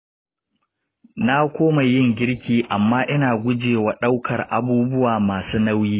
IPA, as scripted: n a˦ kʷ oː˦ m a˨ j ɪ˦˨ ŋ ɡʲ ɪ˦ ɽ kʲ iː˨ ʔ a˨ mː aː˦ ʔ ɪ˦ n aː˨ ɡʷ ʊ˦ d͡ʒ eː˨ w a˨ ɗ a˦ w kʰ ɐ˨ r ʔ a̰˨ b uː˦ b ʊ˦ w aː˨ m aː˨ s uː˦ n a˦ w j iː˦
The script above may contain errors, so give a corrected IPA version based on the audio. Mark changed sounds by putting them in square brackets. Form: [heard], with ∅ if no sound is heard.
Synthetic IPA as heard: n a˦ kʷ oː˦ m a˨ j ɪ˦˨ ŋ ɡʲ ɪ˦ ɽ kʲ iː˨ ʔ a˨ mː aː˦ ʔ ɪ˦ n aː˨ ɡʷ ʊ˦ d͡ʒ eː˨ w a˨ ɗ a˦ w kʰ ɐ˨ r ʔ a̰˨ b uː˦ b ʊ˦ w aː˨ m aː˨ s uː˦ n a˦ w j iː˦